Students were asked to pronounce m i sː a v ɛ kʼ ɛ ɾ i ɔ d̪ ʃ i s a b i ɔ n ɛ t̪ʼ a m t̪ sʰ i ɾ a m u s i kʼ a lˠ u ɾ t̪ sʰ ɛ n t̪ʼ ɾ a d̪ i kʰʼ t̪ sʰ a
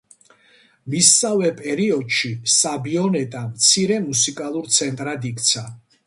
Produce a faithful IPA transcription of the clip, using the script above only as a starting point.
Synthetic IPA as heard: m i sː a v ɛ pʼ ɛ ɾ i ɔ d̪ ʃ i s a b i ɔ n ɛ t̪ʼ a m t̪ sʰ i ɾ ɛ m u s i kʼ a lˠ u ɾ t̪ sʰ ɛ n t̪ʼ ɾ a d̪ i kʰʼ t̪ sʰ a